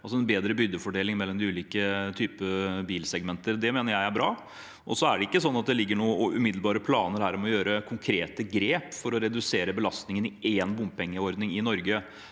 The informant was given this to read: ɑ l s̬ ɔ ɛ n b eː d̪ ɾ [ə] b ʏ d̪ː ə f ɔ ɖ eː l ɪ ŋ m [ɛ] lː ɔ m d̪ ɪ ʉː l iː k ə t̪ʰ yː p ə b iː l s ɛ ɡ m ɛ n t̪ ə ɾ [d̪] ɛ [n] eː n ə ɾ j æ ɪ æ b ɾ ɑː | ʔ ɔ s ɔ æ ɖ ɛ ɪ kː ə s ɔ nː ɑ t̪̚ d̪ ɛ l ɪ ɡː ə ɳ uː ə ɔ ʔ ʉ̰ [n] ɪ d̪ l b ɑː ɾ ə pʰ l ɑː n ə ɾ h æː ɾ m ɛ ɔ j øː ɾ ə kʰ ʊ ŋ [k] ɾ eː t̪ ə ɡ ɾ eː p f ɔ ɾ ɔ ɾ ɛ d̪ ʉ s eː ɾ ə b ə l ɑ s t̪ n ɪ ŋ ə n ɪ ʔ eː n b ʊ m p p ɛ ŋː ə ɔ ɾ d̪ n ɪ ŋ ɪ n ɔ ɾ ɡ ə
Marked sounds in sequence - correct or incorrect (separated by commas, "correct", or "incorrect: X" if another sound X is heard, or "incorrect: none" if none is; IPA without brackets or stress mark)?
correct, correct, correct, incorrect: m, incorrect: m, incorrect: kʰ